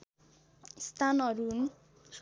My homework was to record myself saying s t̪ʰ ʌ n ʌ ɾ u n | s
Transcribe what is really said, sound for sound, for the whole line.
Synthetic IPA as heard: s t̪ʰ a n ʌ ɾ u n | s

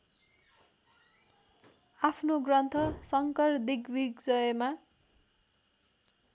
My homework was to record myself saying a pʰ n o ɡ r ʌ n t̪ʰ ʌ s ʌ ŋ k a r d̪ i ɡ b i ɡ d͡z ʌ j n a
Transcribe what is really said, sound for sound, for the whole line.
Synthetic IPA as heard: a pʰ n o ɡ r ʌ n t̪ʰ ʌ s ʌ ŋ k ʌ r d̪ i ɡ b i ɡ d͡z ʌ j m a

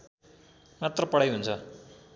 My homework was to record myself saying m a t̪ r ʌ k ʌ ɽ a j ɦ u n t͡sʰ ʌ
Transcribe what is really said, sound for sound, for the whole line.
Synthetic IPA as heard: m a t̪ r ʌ p ʌ ɽ a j ɦ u n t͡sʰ ʌ

